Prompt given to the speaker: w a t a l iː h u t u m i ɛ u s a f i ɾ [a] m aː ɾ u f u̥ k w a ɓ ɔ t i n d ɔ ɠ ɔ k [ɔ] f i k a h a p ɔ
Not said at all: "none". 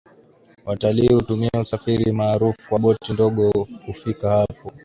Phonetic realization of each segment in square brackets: i, u

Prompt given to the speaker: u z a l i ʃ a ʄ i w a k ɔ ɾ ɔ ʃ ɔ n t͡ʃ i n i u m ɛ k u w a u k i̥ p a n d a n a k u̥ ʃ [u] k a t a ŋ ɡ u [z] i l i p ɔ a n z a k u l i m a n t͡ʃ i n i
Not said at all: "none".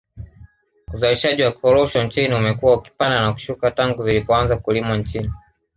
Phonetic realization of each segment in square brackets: u, z

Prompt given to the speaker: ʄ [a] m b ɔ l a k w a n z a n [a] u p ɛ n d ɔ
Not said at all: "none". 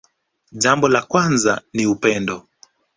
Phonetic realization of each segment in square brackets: a, i

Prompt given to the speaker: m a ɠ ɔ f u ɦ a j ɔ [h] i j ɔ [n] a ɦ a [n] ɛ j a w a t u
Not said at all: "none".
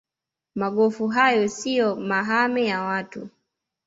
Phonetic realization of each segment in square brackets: s, m, m

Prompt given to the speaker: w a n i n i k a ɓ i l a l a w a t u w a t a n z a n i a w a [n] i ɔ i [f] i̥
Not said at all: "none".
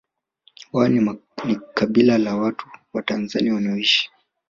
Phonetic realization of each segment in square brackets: n, ʃ

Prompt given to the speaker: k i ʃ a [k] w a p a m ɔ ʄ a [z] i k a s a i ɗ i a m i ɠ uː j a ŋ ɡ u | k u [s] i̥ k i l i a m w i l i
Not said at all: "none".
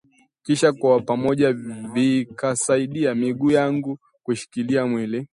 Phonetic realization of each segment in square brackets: k, v, ʃ

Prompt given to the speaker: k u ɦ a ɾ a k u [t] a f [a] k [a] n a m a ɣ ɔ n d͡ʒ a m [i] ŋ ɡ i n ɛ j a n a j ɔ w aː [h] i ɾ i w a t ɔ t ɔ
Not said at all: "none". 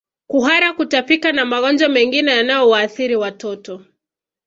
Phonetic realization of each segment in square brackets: t, i, a, ɛ, θ

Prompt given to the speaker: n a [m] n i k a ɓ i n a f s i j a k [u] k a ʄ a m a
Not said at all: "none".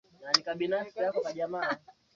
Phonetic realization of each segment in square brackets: none, ɔ

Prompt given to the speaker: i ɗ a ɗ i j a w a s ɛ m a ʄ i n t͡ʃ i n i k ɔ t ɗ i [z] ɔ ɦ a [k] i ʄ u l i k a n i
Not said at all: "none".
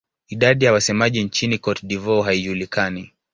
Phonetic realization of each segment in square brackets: v, none

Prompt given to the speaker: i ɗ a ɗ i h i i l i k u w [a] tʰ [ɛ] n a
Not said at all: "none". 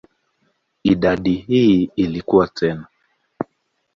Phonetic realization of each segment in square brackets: a, ɛ

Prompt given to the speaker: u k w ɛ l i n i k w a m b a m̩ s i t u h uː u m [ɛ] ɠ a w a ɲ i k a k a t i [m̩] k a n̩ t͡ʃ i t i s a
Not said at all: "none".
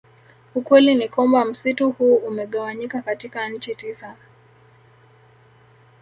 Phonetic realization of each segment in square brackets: ɛ, none

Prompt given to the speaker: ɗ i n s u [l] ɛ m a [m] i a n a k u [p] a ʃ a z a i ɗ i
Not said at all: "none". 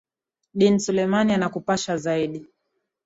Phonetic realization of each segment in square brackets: l, n, p

